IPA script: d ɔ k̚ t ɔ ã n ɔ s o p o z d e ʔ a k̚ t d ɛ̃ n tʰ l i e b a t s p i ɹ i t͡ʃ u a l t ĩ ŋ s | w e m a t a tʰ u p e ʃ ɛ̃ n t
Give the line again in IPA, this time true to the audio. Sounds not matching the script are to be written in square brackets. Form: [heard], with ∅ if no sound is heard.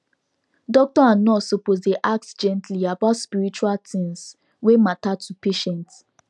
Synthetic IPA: d ɔ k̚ t ɔ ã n ɔ s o p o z d e ʔ a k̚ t [d͡ʒ] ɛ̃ n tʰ l i [a] b a t s p i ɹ i t͡ʃ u a l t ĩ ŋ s | w e m a t a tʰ u p e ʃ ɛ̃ n t